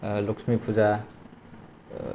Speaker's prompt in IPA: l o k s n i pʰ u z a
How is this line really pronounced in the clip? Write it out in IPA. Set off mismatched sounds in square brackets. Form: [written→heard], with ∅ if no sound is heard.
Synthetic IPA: l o k s [n→m] i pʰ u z a